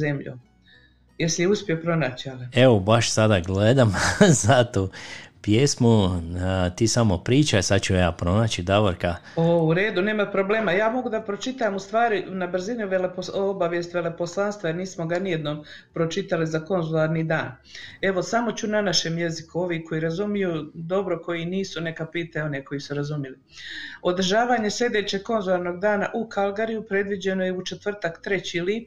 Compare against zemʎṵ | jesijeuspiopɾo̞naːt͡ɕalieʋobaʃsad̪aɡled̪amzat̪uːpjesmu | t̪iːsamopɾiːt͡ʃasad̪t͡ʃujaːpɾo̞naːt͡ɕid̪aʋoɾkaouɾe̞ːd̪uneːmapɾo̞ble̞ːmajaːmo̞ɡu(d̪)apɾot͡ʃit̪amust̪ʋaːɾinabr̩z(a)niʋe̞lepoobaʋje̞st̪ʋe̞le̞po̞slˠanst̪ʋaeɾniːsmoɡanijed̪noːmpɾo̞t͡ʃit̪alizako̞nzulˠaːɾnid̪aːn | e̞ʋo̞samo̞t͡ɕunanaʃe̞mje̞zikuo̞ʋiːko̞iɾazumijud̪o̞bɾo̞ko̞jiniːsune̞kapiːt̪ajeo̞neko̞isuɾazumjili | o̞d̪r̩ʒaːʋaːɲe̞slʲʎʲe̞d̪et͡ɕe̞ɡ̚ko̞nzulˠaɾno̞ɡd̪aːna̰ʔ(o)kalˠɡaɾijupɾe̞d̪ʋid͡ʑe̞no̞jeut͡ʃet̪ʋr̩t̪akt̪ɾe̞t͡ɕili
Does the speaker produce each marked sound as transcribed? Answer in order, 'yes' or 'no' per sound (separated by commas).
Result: yes, no, no